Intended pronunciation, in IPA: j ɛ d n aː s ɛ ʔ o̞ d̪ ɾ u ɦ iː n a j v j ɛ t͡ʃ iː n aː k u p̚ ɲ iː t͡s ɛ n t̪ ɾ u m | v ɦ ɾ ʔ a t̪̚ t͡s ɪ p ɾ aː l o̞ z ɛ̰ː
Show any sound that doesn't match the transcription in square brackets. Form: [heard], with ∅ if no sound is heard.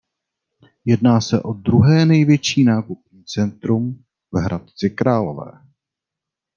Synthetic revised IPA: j ɛ d n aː s ɛ ʔ o̞ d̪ ɾ u ɦ [ɛː] n [ɛ] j v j ɛ t͡ʃ iː n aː k u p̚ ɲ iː t͡s ɛ n t̪ ɾ u m | v ɦ ɾ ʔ a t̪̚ t͡s ɪ [k] ɾ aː l o̞ [v] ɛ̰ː